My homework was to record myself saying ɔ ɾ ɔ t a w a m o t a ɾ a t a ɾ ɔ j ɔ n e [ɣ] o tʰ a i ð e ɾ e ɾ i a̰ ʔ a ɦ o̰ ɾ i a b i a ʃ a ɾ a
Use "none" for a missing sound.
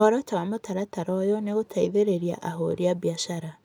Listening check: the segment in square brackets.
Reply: ɣ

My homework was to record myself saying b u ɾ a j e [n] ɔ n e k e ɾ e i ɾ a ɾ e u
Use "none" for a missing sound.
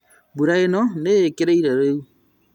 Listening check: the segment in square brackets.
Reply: n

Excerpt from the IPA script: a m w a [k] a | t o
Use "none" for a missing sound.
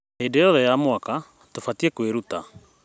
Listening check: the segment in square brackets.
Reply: k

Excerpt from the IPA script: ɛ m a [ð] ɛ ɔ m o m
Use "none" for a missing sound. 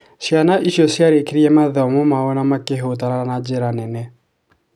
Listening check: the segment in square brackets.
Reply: ð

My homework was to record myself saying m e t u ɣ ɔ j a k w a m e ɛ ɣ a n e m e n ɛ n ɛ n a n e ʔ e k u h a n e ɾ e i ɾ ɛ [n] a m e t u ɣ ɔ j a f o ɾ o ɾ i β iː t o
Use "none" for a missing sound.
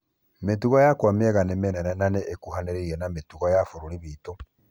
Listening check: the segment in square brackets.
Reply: n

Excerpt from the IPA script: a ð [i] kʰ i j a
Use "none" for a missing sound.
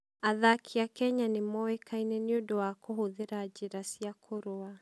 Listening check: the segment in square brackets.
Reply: a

